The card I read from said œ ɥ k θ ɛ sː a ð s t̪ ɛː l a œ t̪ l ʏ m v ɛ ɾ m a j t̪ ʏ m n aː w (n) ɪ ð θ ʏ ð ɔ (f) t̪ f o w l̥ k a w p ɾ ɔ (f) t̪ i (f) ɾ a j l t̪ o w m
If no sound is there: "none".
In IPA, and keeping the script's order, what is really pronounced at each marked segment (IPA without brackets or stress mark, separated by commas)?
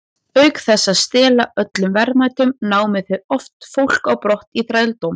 m, f, h, θ